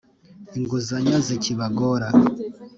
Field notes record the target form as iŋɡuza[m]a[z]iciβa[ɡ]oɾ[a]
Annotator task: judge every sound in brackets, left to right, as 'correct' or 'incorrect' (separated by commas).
incorrect, correct, correct, correct